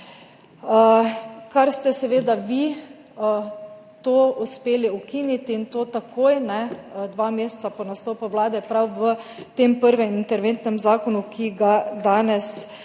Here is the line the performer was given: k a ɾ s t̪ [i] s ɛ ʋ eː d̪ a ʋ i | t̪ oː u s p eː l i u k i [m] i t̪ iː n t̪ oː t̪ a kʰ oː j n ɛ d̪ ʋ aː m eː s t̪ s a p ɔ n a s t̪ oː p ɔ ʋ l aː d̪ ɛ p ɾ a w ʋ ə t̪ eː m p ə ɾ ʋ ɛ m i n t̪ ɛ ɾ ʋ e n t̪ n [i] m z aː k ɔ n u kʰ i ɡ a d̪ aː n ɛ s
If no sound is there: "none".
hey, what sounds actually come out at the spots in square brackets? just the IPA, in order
ɛ, n, ɛ

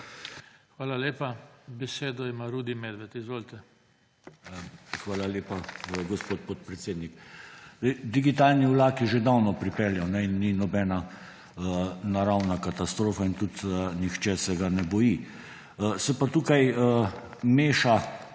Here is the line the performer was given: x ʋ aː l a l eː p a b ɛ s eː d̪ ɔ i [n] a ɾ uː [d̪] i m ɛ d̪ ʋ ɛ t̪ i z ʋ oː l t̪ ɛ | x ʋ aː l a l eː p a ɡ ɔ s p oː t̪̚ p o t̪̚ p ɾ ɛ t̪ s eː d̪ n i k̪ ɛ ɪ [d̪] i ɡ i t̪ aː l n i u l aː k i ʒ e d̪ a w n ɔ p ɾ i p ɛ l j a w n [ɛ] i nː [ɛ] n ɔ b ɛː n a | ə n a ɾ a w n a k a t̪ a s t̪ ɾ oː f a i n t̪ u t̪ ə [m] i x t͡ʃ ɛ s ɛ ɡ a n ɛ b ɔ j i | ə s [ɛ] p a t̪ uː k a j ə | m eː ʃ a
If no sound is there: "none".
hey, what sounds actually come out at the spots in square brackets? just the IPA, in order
m, d̪, d̪, ɛ, i, n, ɛ

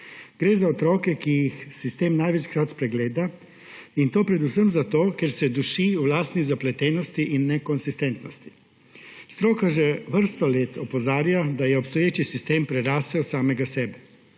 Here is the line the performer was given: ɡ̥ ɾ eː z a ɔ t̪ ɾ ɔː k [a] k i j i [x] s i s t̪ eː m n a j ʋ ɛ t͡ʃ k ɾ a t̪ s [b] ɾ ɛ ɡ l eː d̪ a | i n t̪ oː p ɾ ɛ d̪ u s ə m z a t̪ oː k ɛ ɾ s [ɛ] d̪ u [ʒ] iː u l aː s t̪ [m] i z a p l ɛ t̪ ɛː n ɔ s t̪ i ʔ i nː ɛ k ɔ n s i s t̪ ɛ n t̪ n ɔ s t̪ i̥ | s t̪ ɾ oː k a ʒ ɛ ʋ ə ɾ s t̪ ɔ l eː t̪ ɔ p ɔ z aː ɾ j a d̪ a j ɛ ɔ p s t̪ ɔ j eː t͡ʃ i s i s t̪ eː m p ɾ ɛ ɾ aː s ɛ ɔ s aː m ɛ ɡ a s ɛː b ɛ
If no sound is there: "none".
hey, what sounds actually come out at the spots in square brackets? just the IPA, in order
ɛ, x, p, ɛ, ʃ, n

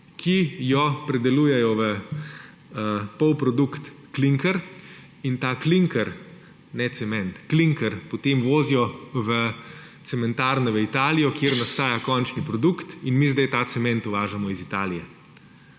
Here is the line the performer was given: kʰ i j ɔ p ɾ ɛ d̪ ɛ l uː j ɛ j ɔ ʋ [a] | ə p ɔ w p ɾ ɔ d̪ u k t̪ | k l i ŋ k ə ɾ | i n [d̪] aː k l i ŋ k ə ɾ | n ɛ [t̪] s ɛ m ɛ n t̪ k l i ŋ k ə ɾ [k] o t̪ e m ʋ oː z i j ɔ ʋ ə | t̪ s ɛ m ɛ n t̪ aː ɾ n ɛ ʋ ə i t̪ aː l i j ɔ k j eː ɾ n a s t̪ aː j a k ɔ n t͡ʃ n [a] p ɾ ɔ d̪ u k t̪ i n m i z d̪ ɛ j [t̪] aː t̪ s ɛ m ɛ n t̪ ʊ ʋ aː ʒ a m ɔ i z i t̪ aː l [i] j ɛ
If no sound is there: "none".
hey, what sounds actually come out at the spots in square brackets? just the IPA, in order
ə, t̪, t̪, p, i, t̪, i

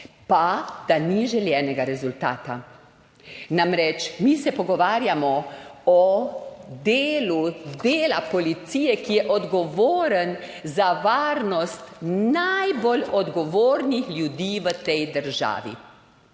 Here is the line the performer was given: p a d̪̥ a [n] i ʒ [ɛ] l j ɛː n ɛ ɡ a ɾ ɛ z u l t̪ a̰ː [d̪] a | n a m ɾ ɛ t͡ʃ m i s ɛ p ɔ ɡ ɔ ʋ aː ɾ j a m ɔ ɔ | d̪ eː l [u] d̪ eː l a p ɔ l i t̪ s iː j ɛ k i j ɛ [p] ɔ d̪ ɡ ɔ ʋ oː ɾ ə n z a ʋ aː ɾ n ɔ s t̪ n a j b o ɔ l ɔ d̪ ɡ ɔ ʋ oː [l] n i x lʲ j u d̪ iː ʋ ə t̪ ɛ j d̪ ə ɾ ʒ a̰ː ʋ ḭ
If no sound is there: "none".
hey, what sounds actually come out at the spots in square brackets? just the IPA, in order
n, ɛ, t̪, u, ʔ, ɾ

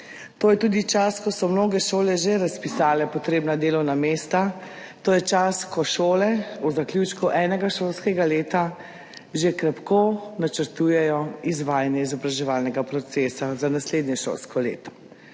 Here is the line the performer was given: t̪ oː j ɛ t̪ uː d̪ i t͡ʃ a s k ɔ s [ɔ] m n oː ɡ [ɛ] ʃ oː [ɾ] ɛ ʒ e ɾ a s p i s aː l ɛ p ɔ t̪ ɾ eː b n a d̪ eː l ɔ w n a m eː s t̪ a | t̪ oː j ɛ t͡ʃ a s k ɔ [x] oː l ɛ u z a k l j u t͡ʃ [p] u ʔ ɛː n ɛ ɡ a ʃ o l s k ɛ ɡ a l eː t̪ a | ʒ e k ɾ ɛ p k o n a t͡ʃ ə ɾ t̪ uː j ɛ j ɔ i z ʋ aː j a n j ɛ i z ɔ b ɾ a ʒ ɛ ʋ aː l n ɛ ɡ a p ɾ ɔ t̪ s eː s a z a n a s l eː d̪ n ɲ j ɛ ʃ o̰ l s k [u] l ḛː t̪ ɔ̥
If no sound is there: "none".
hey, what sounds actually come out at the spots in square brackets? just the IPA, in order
ɔ, ɛ, l, ʃ, k, ɔ

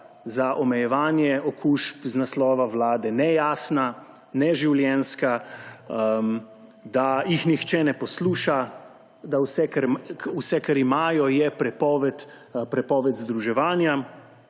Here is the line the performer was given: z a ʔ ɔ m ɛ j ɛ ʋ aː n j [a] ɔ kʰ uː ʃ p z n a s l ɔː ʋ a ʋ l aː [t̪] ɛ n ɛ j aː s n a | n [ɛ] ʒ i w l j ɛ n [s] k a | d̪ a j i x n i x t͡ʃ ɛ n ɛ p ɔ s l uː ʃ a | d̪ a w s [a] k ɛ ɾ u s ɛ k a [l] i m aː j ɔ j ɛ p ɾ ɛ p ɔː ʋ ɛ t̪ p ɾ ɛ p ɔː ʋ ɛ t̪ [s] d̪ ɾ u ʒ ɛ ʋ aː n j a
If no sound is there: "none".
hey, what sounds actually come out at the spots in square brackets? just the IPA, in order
ɛ, d̪, ɛ, s, ɛ, ɾ, z

